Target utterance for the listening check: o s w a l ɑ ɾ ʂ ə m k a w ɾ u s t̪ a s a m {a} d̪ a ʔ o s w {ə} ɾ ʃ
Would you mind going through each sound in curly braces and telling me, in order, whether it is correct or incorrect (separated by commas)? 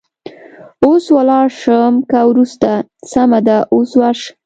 correct, incorrect